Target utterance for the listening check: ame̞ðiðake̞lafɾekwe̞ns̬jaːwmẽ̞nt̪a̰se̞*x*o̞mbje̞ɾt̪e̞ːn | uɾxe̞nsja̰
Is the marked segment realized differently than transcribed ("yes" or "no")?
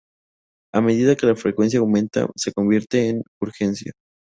yes